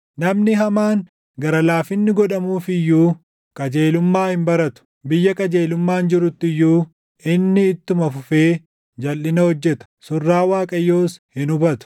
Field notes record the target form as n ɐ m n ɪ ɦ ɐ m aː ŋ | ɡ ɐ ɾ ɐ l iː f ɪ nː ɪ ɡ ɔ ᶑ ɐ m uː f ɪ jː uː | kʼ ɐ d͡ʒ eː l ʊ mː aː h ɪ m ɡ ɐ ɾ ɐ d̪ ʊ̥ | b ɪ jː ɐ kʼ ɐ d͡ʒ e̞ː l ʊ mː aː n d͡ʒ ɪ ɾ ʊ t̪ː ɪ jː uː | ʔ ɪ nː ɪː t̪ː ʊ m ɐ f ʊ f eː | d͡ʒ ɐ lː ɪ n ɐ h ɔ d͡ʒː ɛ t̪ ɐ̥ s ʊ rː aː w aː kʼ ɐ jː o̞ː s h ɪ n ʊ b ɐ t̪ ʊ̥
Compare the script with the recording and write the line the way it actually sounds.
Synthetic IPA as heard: n ɐ m n ɪ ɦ ɐ m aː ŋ | ɡ ɐ ɾ ɐ l aː f ɪ nː ɪ ɡ ɔ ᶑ ɐ m uː f ɪ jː uː | kʼ ɐ d͡ʒ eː l ʊ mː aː h ɪ m b ɐ ɾ ɐ t̪ ʊ̥ | b ɪ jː ɐ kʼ ɐ d͡ʒ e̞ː l ʊ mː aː n d͡ʒ ɪ ɾ ʊ t̪ː ɪ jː uː | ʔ ɪ nː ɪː t̪ː ʊ m ɐ f ʊ f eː | d͡ʒ ɐ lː ɪ n ɐ h ɔ d͡ʒː ɛ t̪ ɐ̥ s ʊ rː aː w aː kʼ ɐ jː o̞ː s h ɪ n ʊ b ɐ t̪ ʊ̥

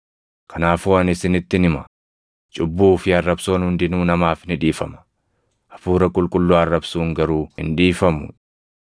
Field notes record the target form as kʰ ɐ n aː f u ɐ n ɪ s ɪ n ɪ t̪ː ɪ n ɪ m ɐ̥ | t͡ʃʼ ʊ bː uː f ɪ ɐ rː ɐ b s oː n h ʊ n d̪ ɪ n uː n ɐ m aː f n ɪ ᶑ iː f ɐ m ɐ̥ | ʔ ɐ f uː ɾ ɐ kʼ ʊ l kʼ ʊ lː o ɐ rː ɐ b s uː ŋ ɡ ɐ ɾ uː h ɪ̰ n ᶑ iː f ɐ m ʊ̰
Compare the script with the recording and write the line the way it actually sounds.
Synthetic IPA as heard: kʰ ɐ n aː f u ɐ n ɪ s ɪ n ɪ t̪ː ɪ n ɪ m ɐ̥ | t͡ʃʼ ʊ bː uː f ɪ ɐ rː ɐ b s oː n h ʊ n d̪ ɪ n uː n ɐ m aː f n ɪ ᶑ iː f ɐ m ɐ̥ | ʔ ɐ f uː ɾ ɐ kʼ ʊ l kʼ ʊ lː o ɐ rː ɐ b s uː ŋ ɡ ɐ ɾ uː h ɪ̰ n ᶑ iː f ɐ m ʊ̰

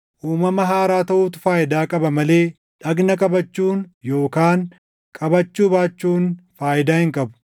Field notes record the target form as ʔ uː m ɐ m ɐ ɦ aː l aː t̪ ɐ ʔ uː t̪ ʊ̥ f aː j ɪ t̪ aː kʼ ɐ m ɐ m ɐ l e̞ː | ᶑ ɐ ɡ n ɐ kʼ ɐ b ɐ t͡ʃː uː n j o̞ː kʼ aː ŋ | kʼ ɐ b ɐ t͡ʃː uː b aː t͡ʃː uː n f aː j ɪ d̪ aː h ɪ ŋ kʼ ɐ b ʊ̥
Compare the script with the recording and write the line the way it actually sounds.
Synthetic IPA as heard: ʔ uː m ɐ m ɐ ɦ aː ɾ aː t̪ ɐ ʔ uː t̪ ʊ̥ f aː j ɪ d̪ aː kʼ ɐ b ɐ m ɐ l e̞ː | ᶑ ɐ ɡ n ɐ kʼ ɐ b ɐ t͡ʃː uː n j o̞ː k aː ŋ | kʼ ɐ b ɐ t͡ʃː uː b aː t͡ʃː uː n f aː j ɪ d̪ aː h ɪ ŋ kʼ ɐ b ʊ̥

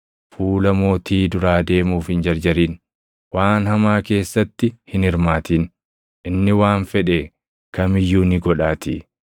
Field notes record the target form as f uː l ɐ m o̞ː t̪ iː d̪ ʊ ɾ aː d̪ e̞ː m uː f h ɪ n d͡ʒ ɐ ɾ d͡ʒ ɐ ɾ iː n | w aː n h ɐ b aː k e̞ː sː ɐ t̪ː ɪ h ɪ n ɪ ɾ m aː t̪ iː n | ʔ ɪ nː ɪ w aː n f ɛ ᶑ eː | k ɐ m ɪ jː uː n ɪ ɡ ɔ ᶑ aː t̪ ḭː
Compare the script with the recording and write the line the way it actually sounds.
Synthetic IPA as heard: f uː l ɐ m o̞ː t̪ iː d̪ ʊ ɾ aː d̪ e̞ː m uː f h ɪ n d͡ʒ ɐ ɾ d͡ʒ ɐ ɾ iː n | w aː n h ɐ m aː k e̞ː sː ɐ t̪ː ɪ h ɪ n ɪ ɾ m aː t̪ iː n | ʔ ɪ nː ɪ w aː n f ɛ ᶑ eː | k ɐ m ɪ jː uː n ɪ ɡ ɔ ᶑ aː t̪ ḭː

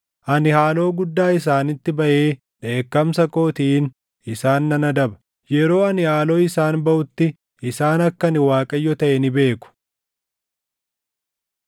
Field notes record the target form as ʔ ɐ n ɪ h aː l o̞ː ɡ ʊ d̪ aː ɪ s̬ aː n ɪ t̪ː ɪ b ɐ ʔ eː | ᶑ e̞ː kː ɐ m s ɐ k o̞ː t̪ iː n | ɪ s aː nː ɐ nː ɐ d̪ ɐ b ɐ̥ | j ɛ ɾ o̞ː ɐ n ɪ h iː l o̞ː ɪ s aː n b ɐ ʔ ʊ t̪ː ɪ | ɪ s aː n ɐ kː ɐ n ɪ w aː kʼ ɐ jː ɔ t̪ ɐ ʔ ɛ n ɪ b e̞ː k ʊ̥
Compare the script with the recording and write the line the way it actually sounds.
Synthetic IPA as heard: ʔ ɐ n ɪ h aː l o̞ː ɡ ʊ d̪ː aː ɪ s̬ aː n ɪ t̪ː ɪ b ɐ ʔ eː | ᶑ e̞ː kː ɐ m s ɐ k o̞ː t̪ iː n | ɪ s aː nː ɐ n ɐ d̪ ɐ b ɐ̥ | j ɛ ɾ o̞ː ɐ n ɪ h aː l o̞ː ɪ s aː n b ɐ ʔ ʊ t̪ː ɪ | ɪ s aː n ɐ kː ɐ n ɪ w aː kʼ ɐ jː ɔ t̪ ɐ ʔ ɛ n ɪ b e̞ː k ʊ̥

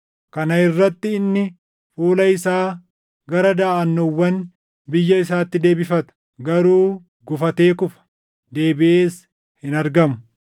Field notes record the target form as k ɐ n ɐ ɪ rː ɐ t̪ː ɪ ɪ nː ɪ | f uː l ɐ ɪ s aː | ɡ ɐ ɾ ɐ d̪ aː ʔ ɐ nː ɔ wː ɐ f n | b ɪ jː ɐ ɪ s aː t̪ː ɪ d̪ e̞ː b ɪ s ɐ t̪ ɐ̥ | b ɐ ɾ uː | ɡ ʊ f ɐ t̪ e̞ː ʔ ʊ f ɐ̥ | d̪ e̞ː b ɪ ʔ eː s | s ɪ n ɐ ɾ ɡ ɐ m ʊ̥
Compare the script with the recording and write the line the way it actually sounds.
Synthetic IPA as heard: k ɐ n ɐ ɪ rː ɐ t̪ː ɪ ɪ nː ɪ | f uː l ɐ ɪ s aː | ɡ ɐ ɾ ɐ d̪ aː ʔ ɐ nː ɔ wː ɐ n | b ɪ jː ɐ ɪ s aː t̪ː ɪ d̪ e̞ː b ɪ f ɐ t̪ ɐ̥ | ɡ ɐ ɾ uː | ɡ ʊ f ɐ t̪ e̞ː k ʊ f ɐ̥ | d̪ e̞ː b ɪ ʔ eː s | h ɪ n ɐ ɾ ɡ ɐ m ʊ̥

